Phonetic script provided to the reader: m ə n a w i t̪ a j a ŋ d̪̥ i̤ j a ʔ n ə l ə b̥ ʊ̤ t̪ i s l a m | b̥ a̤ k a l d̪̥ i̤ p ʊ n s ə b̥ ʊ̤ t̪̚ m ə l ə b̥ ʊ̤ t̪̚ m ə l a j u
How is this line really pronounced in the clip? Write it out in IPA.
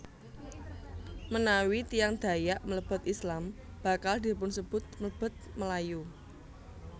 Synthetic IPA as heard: m ə n a w i t̪ i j a ŋ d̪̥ a̤ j a ʔ m ə l ə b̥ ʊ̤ t̪ i s l a m | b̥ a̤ k a l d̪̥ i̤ p ʊ n s ə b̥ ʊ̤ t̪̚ m ə l ə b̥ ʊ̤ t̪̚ m ə l a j u